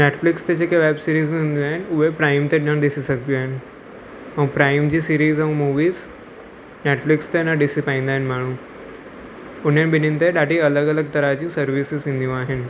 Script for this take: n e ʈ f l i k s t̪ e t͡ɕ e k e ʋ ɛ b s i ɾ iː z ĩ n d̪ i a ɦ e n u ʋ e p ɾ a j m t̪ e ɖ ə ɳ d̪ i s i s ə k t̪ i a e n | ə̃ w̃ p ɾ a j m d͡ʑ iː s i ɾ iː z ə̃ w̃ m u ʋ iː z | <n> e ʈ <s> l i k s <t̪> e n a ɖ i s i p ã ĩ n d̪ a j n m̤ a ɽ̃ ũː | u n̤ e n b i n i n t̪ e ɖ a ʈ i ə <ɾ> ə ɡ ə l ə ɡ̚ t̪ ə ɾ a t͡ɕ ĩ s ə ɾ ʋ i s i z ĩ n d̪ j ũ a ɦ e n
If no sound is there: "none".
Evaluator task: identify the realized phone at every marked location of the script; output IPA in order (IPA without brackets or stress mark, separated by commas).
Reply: n, f, t̪, l